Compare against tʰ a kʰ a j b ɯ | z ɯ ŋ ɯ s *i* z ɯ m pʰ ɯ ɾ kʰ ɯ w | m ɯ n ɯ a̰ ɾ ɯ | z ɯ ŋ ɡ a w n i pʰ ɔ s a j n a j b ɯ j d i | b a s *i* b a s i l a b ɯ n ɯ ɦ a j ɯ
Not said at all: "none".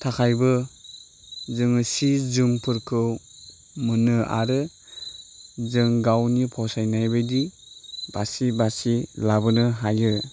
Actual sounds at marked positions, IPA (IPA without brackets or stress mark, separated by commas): i, i